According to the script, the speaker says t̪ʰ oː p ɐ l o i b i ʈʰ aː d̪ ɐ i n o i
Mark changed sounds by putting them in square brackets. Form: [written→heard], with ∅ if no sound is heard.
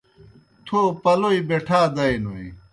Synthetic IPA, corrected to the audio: t̪ʰ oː p ɐ l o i b [i→e] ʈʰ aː d̪ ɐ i n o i